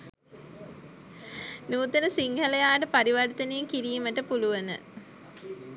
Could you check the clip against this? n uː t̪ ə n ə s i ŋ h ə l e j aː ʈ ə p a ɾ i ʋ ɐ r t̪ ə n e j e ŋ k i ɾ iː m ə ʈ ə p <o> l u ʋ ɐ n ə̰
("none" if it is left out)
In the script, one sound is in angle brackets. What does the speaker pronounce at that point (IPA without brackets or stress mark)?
u